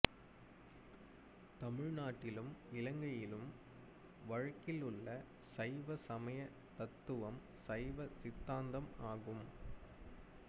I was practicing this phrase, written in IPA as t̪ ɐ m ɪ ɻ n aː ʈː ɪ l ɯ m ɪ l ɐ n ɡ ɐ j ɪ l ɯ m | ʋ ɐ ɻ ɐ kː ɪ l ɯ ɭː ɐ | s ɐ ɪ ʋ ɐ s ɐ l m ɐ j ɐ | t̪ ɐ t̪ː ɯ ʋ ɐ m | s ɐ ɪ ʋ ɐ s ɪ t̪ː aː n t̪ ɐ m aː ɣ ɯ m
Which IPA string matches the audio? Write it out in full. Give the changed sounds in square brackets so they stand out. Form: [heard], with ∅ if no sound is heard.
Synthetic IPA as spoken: t̪ ɐ m ɪ ɻ n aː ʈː ɪ l ɯ m ɪ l ɐ [ŋ] ɡ ɐ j ɪ l ɯ m | ʋ ɐ ɻ ɐ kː ɪ l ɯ ɭː ɐ | s ɐ ɪ ʋ ɐ s ɐ [∅] m ɐ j ɐ | t̪ ɐ t̪ː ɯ ʋ ɐ m | s ɐ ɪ ʋ ɐ s ɪ t̪ː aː n [d̪] ɐ m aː ɣ ɯ m

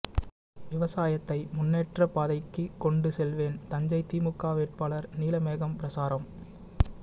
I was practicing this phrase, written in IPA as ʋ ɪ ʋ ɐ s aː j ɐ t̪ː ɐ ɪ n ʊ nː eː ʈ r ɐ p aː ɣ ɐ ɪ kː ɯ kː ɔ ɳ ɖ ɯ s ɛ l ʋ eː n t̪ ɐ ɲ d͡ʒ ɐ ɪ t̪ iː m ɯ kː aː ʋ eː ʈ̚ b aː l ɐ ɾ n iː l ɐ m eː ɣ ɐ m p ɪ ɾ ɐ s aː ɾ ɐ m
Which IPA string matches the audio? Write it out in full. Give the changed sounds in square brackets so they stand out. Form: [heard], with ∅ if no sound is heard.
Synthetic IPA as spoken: ʋ ɪ ʋ ɐ s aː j ɐ t̪ː ɐ ɪ [m] ʊ nː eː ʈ r ɐ p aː [ð] ɐ ɪ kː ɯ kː ɔ ɳ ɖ ɯ s ɛ l ʋ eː n t̪ ɐ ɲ d͡ʒ ɐ ɪ t̪ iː m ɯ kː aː ʋ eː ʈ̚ [p] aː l ɐ ɾ n iː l ɐ m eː ɣ ɐ m p ɪ ɾ ɐ s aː ɾ ɐ m

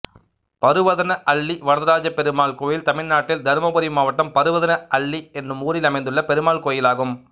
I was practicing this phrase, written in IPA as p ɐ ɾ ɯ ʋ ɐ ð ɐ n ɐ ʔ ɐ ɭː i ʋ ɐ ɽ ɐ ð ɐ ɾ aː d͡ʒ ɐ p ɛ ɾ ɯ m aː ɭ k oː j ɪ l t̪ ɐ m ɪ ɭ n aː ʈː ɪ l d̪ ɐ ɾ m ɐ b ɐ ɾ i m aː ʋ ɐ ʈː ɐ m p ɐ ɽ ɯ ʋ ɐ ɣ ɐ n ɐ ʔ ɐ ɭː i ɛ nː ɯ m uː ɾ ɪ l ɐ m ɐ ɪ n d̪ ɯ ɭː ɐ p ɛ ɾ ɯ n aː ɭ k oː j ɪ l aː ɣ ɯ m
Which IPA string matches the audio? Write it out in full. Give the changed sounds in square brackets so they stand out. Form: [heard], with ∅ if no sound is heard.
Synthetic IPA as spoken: p ɐ ɾ ɯ ʋ ɐ ð ɐ n ɐ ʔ ɐ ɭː i ʋ ɐ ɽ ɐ ð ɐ ɾ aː d͡ʒ ɐ p ɛ ɾ ɯ m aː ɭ k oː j ɪ l t̪ ɐ m ɪ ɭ n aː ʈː ɪ l d̪ ɐ ɾ m ɐ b ɐ ɾ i m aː ʋ ɐ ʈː ɐ m p ɐ [ɾ] ɯ ʋ ɐ [ð] ɐ n ɐ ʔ ɐ ɭː i ɛ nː ɯ m uː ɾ ɪ l ɐ m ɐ ɪ n d̪ ɯ ɭː ɐ p ɛ ɾ ɯ [m] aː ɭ k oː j ɪ l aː ɣ ɯ m

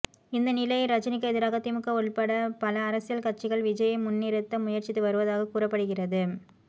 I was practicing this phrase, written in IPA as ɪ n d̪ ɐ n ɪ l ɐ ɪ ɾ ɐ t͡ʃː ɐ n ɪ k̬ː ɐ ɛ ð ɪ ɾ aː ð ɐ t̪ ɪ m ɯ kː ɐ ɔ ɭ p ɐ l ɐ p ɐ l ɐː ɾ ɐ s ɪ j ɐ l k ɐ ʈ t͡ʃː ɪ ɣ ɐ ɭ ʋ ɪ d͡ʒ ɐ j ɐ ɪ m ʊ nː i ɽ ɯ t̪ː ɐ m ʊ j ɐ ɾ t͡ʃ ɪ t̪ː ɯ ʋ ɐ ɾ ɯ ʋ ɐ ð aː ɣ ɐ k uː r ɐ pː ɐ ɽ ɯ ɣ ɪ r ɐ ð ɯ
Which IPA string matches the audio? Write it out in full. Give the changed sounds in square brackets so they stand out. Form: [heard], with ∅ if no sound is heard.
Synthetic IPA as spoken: ɪ n d̪ ɐ n ɪ l ɐ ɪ ɾ ɐ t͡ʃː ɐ n ɪ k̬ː ɐ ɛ ð ɪ ɾ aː [ɣ] ɐ t̪ ɪ m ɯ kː ɐ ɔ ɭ p ɐ [ɽ] ɐ p ɐ l ɐː ɾ ɐ s ɪ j ɐ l k ɐ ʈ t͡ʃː ɪ ɣ ɐ ɭ ʋ ɪ d͡ʒ ɐ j ɐ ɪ m ʊ nː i [ɾ] ɯ t̪ː ɐ m ʊ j ɐ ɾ t͡ʃ ɪ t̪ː ɯ ʋ ɐ ɾ ɯ ʋ ɐ ð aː ɣ ɐ k uː r ɐ pː ɐ ɽ ɯ ɣ ɪ r ɐ ð ɯ

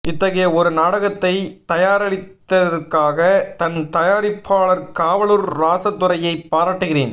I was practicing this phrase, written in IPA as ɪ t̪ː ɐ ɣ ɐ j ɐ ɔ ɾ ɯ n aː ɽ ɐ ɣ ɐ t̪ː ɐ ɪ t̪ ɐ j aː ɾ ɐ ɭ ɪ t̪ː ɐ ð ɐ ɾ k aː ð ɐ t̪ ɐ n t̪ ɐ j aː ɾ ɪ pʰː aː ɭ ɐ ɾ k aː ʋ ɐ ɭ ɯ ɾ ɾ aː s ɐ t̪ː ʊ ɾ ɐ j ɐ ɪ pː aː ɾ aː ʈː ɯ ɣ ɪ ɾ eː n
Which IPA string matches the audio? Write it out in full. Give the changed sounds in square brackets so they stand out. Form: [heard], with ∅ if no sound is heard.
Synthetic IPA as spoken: ɪ t̪ː ɐ ɣ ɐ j ɐ ɔ ɾ ɯ n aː ɽ ɐ ɣ ɐ t̪ː ɐ ɪ t̪ ɐ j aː ɾ ɐ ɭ ɪ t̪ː ɐ ð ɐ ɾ k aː [ɣ] ɐ t̪ ɐ n t̪ ɐ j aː ɾ ɪ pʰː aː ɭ ɐ ɾ k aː ʋ ɐ ɭ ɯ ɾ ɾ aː s ɐ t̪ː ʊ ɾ ɐ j ɐ ɪ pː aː ɾ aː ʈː ɯ ɣ ɪ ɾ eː n

